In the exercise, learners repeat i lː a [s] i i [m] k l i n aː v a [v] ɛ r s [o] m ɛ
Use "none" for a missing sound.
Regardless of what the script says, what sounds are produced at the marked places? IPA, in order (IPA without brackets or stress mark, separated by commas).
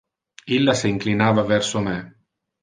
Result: s, ŋ, v, o